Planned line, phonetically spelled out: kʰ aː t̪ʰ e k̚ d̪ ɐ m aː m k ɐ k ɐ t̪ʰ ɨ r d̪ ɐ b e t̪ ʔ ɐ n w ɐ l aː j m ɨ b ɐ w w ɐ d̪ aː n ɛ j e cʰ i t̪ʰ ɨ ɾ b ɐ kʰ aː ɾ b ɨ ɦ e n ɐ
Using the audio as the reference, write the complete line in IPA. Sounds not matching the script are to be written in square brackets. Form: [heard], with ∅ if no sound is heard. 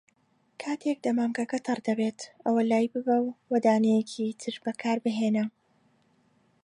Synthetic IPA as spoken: kʰ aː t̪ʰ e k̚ d̪ ɐ m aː m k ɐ k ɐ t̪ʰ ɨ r d̪ ɐ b e t̪ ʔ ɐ [∅] w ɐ l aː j [b] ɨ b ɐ w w ɐ d̪ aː n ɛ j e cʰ i t̪ʰ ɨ ɾ b ɐ kʰ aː ɾ b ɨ ɦ e n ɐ